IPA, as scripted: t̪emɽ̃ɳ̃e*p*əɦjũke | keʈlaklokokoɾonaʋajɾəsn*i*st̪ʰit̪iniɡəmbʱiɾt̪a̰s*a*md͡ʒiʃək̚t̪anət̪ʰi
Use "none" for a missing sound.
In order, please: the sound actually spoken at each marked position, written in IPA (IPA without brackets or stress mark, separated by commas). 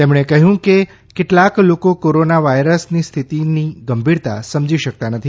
k, i, ə